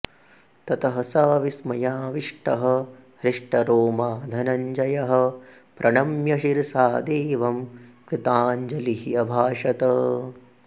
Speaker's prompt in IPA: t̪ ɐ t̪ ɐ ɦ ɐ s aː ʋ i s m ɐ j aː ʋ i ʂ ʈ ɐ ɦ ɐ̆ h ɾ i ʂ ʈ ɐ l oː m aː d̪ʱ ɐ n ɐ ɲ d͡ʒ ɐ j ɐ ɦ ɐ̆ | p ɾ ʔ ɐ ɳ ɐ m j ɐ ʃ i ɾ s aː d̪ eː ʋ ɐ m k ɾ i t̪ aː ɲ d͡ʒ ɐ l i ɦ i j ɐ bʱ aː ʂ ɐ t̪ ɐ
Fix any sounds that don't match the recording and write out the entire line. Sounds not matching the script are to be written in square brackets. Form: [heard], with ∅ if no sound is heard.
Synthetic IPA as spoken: t̪ ɐ t̪ ɐ ɦ ɐ s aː ʋ i s m ɐ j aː ʋ i ʂ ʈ ɐ ɦ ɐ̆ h ɾ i ʂ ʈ ɐ [ɾ] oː m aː d̪ʱ ɐ n ɐ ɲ d͡ʒ ɐ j ɐ ɦ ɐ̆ | p ɾ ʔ ɐ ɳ ɐ m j ɐ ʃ i ɾ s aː d̪ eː ʋ ɐ m k ɾ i t̪ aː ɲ d͡ʒ ɐ l i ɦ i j ɐ bʱ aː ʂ ɐ t̪ ɐ